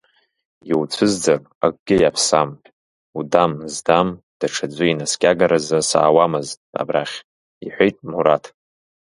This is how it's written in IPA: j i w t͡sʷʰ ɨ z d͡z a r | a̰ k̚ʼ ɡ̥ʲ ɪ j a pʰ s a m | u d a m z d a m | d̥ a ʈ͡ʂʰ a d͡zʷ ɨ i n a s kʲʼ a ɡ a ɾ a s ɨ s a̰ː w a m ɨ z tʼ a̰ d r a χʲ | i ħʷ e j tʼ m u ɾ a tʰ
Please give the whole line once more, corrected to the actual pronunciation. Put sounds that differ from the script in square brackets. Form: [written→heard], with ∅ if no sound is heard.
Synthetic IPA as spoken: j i w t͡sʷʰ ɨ z d͡z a r | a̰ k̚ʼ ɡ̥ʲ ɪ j a pʰ s a m | u d a m z d a m | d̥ a ʈ͡ʂʰ a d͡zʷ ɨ i n a s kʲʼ a ɡ a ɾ a [s→z] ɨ s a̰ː w a m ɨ z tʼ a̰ [d→b] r a χʲ | i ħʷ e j tʼ m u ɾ a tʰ